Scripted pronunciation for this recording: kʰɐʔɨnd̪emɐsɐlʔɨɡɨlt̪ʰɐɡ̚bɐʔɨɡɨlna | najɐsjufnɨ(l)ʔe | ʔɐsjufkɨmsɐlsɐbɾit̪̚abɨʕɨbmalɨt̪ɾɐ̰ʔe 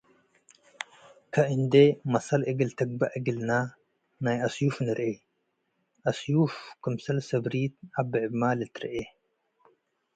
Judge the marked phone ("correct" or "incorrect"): incorrect